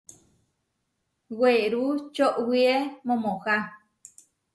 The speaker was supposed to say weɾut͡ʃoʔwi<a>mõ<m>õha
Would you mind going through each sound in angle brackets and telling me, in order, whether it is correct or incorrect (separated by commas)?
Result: incorrect, correct